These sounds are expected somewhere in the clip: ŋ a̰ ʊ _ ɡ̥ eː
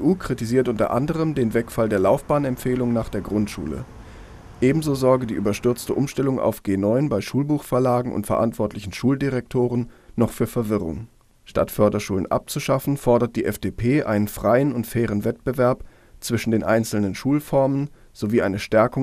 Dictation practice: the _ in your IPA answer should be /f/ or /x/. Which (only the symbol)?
f